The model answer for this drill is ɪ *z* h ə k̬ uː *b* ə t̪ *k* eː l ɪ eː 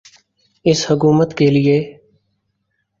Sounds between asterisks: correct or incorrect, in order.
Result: incorrect: s, incorrect: m, correct

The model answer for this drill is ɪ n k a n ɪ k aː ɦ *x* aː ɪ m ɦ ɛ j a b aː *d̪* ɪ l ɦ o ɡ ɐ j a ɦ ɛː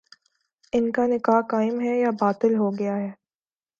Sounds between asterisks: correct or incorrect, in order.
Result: incorrect: k, incorrect: t̪

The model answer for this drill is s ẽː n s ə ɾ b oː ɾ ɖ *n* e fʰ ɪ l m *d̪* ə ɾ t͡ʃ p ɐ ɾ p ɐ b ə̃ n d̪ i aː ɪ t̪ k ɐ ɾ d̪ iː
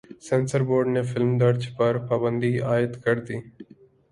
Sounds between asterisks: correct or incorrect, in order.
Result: correct, correct

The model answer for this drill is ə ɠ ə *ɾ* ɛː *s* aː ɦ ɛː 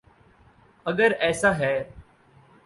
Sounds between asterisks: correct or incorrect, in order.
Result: correct, correct

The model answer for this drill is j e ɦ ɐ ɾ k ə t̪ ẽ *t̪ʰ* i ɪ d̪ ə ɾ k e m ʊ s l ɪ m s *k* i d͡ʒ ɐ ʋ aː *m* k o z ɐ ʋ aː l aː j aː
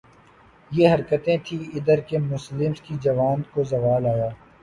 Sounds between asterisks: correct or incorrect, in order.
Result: correct, correct, incorrect: n

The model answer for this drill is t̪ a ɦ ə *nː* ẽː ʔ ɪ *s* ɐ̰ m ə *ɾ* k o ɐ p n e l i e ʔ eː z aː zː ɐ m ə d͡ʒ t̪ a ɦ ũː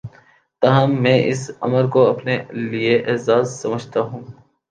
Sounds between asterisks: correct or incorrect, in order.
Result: incorrect: mː, correct, correct

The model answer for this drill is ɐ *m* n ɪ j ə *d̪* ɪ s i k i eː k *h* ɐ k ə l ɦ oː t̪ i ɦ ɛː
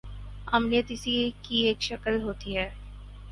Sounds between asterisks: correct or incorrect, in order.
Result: correct, incorrect: t̪, incorrect: ʃ

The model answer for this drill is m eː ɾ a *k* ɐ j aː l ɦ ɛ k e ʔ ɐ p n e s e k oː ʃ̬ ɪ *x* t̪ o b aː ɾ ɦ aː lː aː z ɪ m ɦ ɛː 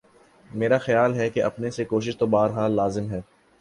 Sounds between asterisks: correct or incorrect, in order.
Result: incorrect: x, incorrect: ʃ

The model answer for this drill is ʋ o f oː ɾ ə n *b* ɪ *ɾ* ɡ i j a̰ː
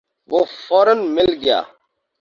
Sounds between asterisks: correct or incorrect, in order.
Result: incorrect: m, incorrect: l

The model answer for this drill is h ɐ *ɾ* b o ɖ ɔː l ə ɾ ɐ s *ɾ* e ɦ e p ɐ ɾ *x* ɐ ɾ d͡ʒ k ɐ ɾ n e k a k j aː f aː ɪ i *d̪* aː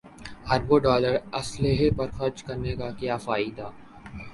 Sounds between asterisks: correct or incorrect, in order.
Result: correct, incorrect: l, correct, correct

